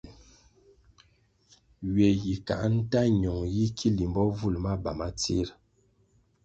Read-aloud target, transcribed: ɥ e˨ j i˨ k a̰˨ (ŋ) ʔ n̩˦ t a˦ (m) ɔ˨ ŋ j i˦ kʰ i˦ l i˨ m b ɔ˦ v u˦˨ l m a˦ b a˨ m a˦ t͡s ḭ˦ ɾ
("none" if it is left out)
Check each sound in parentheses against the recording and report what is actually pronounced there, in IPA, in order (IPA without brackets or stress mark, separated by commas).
none, ɲ